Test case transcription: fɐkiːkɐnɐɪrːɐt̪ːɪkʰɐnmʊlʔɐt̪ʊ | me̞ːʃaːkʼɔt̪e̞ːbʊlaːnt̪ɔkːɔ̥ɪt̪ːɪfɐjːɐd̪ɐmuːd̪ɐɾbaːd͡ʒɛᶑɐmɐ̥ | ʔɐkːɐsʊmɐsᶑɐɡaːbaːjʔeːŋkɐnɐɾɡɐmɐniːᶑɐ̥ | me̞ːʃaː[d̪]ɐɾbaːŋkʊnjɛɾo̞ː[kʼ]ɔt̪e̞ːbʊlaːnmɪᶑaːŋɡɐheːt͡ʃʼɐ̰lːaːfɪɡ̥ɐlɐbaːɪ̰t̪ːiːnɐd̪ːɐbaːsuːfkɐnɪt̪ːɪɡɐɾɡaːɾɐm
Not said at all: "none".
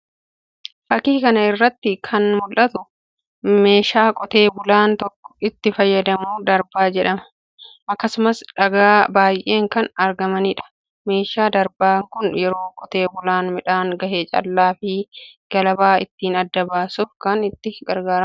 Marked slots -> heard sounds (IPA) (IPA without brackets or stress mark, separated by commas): d̪, kʼ